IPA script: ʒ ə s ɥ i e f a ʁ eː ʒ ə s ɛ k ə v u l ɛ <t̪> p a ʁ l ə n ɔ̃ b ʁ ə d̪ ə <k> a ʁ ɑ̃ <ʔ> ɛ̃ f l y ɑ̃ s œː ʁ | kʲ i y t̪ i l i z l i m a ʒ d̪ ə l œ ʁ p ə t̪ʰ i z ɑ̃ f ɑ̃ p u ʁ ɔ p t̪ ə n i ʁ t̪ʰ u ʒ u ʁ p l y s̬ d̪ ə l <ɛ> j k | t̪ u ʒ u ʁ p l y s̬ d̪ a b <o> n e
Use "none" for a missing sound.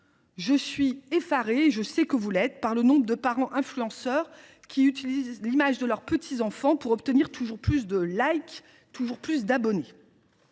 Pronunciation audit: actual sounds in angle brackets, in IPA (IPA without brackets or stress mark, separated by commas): t̪, p, ʔ, a, ɔ